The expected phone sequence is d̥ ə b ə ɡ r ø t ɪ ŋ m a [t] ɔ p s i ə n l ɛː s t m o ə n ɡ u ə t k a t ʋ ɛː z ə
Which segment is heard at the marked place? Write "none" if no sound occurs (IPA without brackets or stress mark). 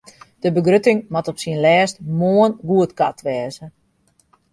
t